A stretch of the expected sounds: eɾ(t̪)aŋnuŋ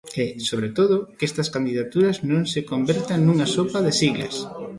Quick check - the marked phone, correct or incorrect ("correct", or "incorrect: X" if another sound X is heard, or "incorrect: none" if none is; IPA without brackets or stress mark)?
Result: correct